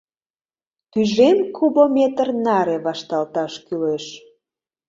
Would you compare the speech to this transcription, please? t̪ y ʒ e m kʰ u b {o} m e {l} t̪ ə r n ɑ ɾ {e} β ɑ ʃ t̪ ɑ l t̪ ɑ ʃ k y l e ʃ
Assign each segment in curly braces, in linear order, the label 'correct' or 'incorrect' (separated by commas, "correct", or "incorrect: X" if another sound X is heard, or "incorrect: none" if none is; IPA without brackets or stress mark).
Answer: correct, incorrect: none, correct